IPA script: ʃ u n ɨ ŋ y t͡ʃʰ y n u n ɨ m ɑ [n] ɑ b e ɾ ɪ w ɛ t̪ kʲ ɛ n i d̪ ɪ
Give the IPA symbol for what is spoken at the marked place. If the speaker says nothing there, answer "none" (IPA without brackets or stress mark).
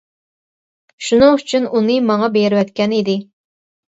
ŋ